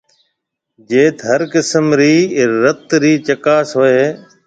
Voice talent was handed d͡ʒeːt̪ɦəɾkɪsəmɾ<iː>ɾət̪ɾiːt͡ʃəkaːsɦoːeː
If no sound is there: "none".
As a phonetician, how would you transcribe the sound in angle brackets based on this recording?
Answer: iː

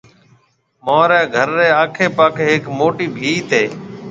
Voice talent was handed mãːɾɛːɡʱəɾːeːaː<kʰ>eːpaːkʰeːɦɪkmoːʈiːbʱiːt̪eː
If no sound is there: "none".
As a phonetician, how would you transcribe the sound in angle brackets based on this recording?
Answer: kʰ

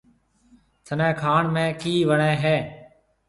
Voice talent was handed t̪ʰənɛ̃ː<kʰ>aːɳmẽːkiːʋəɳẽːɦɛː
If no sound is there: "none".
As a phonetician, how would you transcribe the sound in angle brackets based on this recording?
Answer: kʰ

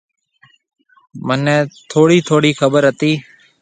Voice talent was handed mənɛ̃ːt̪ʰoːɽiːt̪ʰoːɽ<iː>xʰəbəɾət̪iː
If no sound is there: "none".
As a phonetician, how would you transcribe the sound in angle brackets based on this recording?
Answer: iː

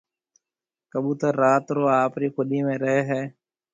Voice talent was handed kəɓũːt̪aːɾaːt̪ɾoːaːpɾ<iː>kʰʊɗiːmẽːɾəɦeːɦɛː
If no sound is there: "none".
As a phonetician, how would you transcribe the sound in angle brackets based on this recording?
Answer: iː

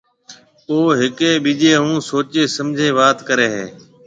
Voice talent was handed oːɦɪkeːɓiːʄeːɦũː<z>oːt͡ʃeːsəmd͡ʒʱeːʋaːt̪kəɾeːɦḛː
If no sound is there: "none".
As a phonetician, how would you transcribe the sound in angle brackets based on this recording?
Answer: s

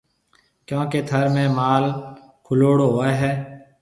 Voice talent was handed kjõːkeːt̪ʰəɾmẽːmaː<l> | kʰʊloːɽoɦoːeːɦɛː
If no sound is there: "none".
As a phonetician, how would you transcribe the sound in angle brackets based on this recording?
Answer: l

